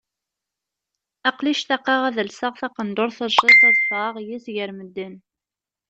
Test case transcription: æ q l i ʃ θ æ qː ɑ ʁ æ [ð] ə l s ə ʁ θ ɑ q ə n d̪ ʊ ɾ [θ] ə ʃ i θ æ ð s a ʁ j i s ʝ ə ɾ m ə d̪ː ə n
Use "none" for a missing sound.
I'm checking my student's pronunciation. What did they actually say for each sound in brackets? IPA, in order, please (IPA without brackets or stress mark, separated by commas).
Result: ð, θ